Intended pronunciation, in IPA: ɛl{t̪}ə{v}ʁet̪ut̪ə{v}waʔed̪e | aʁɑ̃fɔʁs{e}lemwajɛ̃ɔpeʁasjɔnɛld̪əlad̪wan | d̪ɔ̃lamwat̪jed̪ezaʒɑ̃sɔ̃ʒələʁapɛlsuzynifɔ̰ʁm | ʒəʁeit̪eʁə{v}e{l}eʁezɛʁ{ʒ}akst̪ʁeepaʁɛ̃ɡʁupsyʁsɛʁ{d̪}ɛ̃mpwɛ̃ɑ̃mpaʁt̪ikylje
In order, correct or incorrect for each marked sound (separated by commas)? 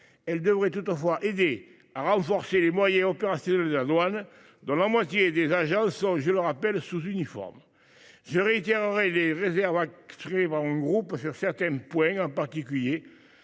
incorrect, correct, incorrect, correct, incorrect, correct, incorrect, incorrect